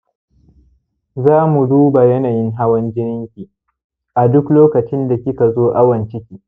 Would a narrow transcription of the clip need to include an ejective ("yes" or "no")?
no